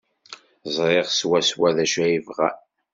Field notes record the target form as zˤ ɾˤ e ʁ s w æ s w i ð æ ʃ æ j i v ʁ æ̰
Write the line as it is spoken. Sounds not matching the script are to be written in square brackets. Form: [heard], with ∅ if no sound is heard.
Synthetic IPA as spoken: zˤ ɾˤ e ʁ s w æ s w [æ] ð æ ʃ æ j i v ʁ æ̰